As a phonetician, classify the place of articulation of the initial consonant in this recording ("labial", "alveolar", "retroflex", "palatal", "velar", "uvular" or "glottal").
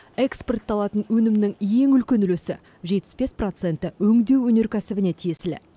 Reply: velar